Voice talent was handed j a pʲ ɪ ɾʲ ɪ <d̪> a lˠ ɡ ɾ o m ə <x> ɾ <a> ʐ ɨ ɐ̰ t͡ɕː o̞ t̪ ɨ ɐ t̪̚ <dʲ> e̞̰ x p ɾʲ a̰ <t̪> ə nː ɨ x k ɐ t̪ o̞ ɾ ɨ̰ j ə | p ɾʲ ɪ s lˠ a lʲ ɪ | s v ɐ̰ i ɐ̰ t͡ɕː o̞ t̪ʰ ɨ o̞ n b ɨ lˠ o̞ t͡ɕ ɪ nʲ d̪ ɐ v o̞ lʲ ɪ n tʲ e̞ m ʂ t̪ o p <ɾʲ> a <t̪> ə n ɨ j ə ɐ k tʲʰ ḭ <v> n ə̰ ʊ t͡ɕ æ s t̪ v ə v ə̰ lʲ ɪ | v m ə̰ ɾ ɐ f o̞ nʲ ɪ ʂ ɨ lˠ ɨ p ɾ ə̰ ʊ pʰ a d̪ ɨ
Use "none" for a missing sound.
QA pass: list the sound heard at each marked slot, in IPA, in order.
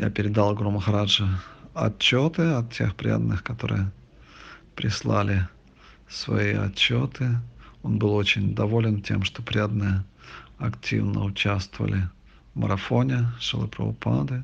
d̪, x, a, tʲ, d̪, ɾʲ, d̪, v

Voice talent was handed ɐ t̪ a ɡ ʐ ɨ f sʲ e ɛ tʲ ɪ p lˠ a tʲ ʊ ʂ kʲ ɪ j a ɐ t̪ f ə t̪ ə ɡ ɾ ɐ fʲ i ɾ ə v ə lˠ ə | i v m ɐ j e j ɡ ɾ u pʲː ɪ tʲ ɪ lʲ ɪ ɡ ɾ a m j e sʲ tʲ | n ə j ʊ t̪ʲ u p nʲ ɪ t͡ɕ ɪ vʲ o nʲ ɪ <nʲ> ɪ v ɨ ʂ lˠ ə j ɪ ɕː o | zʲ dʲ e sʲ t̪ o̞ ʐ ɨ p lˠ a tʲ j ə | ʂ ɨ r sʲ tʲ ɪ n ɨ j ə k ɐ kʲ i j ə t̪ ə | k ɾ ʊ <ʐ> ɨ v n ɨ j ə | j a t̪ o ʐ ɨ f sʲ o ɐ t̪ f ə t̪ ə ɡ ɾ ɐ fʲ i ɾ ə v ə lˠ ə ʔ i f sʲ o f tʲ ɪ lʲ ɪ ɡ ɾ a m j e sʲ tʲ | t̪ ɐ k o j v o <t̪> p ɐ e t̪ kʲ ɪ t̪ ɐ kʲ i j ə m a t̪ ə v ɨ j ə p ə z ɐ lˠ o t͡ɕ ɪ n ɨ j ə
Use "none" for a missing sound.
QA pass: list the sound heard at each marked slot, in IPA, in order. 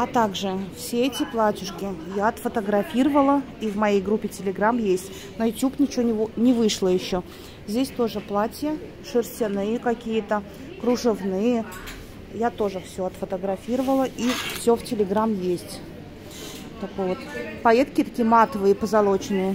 nʲ, ʐ, t̪

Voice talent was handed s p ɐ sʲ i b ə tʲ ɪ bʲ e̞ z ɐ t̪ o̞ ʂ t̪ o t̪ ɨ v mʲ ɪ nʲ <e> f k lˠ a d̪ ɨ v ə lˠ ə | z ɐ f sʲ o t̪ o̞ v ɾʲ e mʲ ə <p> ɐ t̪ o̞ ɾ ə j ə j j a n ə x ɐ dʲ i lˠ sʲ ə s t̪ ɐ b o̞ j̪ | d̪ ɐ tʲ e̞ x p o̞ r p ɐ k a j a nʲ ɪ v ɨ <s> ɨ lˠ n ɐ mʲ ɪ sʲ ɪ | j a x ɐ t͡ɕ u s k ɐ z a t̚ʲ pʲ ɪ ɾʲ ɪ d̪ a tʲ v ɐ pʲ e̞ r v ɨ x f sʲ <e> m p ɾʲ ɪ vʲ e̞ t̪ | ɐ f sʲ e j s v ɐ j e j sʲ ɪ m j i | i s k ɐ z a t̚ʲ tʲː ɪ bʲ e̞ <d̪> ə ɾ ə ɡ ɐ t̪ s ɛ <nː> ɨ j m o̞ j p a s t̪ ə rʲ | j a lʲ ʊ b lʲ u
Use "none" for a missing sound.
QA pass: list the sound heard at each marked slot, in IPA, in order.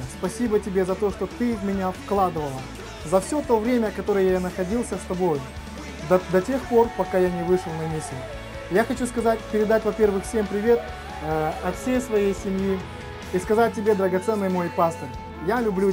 a, k, ʂ, e, d̪, nː

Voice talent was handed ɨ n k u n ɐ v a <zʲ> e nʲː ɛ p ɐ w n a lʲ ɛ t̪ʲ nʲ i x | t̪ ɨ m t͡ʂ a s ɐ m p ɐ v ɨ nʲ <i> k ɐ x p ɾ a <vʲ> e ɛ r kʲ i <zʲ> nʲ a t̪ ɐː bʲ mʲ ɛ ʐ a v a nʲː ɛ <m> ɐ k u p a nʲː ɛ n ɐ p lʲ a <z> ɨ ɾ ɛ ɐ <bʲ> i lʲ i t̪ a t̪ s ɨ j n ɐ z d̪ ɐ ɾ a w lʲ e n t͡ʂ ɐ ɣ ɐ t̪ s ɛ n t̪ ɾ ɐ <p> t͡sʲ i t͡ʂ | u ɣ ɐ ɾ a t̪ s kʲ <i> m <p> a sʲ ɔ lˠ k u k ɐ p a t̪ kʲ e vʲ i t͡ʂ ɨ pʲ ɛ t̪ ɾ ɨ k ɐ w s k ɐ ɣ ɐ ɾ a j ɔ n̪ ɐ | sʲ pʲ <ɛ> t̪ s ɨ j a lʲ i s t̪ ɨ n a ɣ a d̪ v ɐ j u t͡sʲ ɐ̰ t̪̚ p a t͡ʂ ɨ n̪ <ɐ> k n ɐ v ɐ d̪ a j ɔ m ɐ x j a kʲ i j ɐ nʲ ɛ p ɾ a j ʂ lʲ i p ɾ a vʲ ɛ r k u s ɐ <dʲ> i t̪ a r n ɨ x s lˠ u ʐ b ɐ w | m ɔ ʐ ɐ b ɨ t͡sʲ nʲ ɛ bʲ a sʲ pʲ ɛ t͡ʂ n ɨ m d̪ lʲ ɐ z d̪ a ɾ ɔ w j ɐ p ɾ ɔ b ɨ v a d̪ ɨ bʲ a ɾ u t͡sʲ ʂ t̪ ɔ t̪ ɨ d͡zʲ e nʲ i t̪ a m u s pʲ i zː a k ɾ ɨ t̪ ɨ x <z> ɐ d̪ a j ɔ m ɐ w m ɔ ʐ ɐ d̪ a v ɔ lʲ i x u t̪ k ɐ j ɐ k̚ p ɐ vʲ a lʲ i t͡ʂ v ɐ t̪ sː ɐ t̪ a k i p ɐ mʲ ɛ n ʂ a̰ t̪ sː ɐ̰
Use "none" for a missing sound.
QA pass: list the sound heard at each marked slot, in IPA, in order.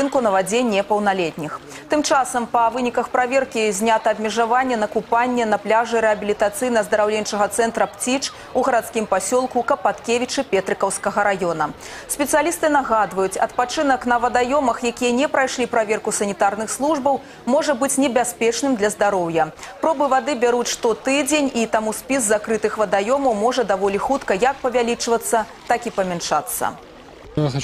d͡zʲ, i, vʲ, zʲ, n, ʐ, bʲ, p, i, p, ɛ, ɐ, nʲ, v

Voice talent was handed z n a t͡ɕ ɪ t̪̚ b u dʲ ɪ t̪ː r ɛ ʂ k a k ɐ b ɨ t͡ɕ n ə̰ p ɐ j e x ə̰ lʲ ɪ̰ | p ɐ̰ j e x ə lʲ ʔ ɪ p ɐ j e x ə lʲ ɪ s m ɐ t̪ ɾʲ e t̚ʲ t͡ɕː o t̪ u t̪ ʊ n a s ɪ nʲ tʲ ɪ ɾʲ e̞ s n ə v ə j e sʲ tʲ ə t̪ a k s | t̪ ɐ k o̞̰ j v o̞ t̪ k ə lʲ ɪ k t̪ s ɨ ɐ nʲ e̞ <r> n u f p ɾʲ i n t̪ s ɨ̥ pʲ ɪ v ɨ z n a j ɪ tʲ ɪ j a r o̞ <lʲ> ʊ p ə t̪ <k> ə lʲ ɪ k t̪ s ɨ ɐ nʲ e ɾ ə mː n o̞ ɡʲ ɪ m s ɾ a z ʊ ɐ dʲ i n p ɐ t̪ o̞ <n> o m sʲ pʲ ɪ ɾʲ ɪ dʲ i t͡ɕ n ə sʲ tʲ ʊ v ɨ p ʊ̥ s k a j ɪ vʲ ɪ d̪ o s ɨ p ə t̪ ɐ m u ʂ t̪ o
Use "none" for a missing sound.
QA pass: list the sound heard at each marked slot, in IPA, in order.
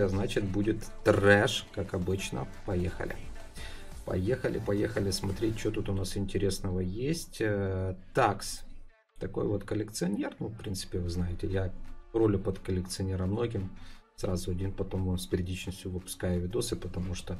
r, lʲ, k, m

